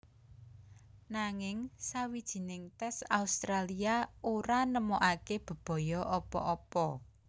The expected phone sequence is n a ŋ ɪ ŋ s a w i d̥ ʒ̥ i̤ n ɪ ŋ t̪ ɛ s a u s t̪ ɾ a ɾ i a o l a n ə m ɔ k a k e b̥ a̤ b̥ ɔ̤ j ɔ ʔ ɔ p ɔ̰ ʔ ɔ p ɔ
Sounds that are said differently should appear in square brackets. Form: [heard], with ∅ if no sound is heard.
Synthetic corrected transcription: n a ŋ ɪ ŋ s a w i d̥ ʒ̥ i̤ n ɪ ŋ t̪ ɛ s a u s t̪ ɾ a [l] i a o [ɾ] a n ə m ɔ [ʔ] a k e b̥ [ə̤] b̥ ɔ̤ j ɔ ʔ ɔ p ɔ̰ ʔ ɔ p ɔ

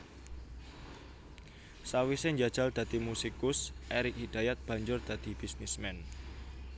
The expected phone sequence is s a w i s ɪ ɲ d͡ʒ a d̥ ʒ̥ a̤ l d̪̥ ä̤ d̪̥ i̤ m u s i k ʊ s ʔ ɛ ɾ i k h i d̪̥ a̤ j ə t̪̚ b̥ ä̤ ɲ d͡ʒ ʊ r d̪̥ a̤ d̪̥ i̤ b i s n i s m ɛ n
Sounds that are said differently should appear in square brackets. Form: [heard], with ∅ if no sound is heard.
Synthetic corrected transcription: s a w i s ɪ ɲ d͡ʒ a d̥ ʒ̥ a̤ l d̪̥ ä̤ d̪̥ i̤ m u s i k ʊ s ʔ ɛ ɾ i k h i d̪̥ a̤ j [a] t̪̚ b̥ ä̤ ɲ d͡ʒ ʊ r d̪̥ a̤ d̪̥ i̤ b i s n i s m ɛ n

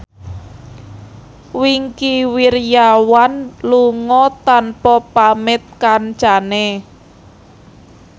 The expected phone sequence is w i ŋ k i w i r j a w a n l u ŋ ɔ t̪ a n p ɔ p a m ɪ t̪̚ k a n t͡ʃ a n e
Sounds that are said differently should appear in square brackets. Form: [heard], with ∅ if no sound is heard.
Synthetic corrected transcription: w i ŋ k i w i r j a w a n l u ŋ ɔ t̪ a n p ɔ p a m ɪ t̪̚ k a n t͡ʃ a n e

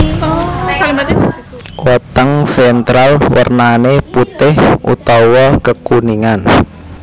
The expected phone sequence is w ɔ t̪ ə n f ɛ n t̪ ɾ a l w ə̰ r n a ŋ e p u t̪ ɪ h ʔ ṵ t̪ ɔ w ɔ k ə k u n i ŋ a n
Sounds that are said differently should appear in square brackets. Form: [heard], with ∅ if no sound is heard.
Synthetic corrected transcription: w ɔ t̪ ə [ŋ] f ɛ n t̪ ɾ a l w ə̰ r n a [n] e p u t̪ ɪ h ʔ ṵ t̪ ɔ w ɔ k ə k u n i ŋ a n

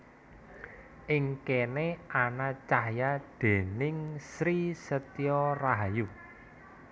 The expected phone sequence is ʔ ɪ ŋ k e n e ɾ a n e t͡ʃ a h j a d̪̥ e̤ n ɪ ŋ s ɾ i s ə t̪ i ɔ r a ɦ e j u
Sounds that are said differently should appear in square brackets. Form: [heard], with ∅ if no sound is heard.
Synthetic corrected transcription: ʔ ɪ ŋ k e n e [∅] a n [a] t͡ʃ a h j a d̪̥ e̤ n ɪ ŋ s ɾ i s ə t̪ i ɔ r a ɦ [a] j u

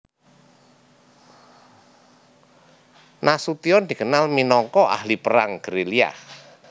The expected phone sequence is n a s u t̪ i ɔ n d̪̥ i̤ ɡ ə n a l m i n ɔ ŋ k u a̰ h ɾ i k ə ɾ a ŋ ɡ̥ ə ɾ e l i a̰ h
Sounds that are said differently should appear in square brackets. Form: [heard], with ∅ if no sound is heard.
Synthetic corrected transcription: n a s u t̪ i ɔ n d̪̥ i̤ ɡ ə n a l m i n ɔ ŋ k [ɔ] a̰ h [l] i [p] ə ɾ a ŋ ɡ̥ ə ɾ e l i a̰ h

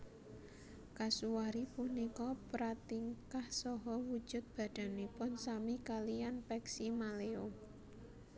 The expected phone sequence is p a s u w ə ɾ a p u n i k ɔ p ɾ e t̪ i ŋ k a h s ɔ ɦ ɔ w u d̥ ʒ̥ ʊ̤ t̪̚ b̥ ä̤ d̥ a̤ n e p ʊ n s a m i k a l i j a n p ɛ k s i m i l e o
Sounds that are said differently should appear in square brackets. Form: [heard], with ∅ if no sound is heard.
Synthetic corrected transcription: [k] a s u w [a] ɾ [i] p u n i k ɔ p ɾ [a] t̪ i ŋ k a h s ɔ ɦ ɔ w u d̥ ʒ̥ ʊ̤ t̪̚ b̥ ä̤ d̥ a̤ n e p ʊ n s a m i k a l i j a n p ɛ k s i m [a] l e o

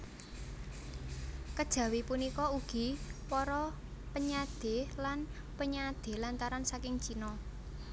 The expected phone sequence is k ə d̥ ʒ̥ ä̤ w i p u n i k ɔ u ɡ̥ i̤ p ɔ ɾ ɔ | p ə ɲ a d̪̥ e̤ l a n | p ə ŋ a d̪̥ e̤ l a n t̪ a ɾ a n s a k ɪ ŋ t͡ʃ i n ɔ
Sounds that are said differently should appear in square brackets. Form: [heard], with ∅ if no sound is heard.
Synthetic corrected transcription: k ə d̥ ʒ̥ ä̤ w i p u n i k ɔ u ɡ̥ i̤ p ɔ ɾ ɔ | p ə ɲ a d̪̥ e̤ l a n | p ə [ɲ] a d̪̥ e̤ l a n t̪ a ɾ a n s a k ɪ ŋ t͡ʃ i n ɔ

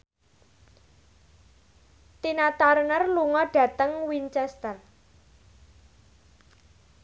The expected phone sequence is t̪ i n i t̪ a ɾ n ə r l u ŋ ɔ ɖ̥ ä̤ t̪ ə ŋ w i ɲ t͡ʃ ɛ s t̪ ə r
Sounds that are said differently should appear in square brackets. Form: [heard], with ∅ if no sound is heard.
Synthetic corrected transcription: t̪ i n [a] t̪ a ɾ n ə r l u ŋ ɔ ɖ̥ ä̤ t̪ ə ŋ w i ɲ t͡ʃ ɛ s t̪ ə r

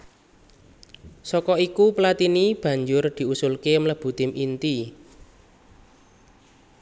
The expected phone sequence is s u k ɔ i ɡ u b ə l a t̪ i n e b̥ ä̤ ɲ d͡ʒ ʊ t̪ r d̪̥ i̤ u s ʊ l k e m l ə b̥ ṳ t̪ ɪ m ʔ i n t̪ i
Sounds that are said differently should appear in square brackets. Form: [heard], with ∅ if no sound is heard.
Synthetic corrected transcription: s [ɔ] k ɔ i [k] u [p] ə l a t̪ i n [i] b̥ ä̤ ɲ d͡ʒ ʊ [∅] r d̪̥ i̤ u s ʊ l k e m l ə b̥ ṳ t̪ ɪ m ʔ i n t̪ i

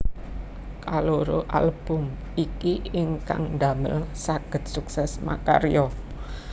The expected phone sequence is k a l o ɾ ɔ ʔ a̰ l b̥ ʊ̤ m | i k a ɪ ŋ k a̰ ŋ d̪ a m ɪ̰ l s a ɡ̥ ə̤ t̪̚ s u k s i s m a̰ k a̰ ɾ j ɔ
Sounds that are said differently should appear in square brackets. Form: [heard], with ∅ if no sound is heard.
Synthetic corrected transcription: k a l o ɾ [o] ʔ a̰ l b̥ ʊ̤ m | i k [i] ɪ ŋ k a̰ ŋ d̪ a m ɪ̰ l s a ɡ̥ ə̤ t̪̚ s u k s [ɛ] s m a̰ k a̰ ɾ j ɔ

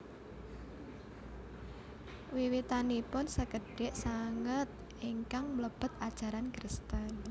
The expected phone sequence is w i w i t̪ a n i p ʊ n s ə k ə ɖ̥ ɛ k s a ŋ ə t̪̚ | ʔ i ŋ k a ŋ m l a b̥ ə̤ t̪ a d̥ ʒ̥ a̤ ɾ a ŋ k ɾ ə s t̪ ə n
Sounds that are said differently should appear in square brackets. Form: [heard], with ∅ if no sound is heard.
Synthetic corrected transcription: w i w i t̪ a n i p ʊ n s ə k ə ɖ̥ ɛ [ʔ] s a ŋ ə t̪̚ | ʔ i ŋ k a ŋ m l [ə] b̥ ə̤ t̪ a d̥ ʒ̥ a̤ ɾ a [n] k ɾ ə s t̪ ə n

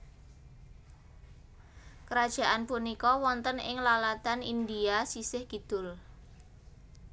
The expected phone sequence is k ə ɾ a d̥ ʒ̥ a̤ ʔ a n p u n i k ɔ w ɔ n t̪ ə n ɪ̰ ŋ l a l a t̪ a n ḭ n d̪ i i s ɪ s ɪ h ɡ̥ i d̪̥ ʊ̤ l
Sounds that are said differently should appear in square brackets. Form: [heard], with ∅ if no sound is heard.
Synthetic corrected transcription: k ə ɾ a d̥ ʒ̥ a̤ ʔ a n p u n i k ɔ w ɔ n t̪ ə n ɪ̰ ŋ l a l a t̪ a n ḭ n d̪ i [a] s [i] s ɪ h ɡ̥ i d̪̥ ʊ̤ l

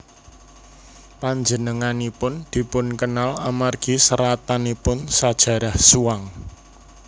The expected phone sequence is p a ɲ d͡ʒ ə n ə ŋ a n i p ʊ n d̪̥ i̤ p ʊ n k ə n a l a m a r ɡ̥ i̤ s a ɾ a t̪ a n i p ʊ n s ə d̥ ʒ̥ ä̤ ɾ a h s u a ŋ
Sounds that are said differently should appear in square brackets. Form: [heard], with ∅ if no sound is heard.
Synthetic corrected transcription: p a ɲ d͡ʒ ə n ə ŋ a n i p ʊ n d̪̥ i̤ p ʊ n k ə n a l a m a r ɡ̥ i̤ s [ə] ɾ a t̪ a n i p ʊ n s [a] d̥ ʒ̥ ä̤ ɾ a h s u a ŋ

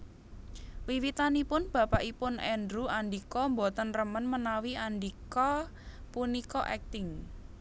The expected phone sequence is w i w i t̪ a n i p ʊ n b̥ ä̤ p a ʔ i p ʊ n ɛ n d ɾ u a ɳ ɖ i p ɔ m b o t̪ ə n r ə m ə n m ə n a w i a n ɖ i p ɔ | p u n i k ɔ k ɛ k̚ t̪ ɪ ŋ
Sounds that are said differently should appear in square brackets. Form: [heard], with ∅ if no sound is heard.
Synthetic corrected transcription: w i w i t̪ a n i p ʊ n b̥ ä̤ p a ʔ i p ʊ n ɛ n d ɾ u a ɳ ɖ i [k] ɔ m b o t̪ ə n r ə m ə n m ə n a w i a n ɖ i [k] ɔ | p u n i k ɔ [ʔ] ɛ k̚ t̪ ɪ ŋ

